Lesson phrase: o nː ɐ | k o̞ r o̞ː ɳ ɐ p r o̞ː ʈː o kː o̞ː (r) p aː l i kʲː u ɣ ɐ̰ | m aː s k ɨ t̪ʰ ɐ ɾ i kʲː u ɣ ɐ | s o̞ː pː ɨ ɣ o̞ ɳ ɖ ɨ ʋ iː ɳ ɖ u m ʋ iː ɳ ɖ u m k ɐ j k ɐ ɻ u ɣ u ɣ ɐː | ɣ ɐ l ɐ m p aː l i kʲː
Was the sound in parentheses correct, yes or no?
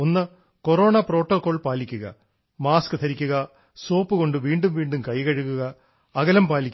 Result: no